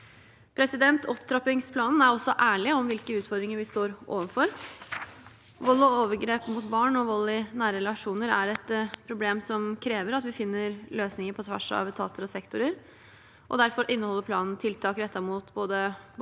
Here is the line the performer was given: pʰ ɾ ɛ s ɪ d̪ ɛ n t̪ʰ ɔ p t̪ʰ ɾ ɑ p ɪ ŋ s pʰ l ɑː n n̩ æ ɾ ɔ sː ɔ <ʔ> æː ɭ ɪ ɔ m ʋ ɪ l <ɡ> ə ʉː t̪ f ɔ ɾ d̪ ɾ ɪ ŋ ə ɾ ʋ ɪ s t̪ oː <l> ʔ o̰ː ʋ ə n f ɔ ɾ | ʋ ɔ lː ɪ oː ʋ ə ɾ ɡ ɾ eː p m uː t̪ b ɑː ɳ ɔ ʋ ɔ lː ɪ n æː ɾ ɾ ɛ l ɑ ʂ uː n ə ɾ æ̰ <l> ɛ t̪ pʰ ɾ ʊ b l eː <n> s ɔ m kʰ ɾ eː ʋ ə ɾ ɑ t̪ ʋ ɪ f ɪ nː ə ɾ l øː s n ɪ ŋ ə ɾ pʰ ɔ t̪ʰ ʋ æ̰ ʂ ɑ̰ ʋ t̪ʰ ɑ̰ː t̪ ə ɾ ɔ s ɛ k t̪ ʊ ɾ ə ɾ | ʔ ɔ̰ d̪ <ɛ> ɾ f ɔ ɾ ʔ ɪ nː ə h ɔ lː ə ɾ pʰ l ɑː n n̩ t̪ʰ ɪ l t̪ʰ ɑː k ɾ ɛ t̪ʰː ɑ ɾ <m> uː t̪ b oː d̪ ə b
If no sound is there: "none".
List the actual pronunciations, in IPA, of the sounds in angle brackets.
ʔ, k, ɾ, ɾ, m, æ, m

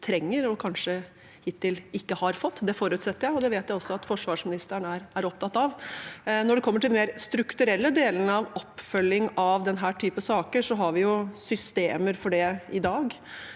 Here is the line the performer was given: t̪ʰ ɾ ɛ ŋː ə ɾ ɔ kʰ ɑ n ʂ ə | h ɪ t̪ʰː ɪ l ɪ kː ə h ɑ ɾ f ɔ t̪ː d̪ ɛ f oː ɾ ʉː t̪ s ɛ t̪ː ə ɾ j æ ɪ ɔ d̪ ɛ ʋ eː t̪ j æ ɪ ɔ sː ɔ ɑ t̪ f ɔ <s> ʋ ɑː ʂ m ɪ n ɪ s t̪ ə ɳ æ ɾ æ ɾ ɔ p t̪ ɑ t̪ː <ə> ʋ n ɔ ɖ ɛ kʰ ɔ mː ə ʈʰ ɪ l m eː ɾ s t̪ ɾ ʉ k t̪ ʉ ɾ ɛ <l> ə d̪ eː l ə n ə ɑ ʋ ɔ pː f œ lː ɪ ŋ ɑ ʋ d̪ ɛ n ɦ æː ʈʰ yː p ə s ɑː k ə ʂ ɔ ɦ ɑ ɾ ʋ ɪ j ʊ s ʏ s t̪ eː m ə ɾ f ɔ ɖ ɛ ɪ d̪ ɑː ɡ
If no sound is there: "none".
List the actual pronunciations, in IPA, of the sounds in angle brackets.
ʂ, ɑ, lː

